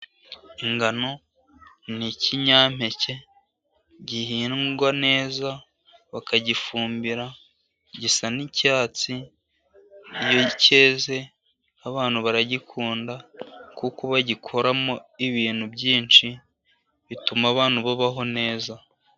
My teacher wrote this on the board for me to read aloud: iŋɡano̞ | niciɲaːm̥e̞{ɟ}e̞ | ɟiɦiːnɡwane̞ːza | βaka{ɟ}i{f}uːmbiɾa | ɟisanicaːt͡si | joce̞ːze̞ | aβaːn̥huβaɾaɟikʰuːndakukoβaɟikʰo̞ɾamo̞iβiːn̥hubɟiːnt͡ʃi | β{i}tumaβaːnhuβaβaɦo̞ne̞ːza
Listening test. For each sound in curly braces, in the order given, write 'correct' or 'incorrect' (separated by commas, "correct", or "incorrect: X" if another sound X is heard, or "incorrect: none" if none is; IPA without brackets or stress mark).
incorrect: c, correct, correct, correct